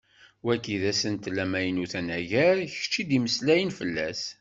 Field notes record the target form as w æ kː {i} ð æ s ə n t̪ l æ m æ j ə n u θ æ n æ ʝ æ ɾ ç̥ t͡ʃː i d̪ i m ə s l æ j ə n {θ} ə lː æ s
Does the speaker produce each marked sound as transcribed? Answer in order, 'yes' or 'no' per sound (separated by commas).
yes, no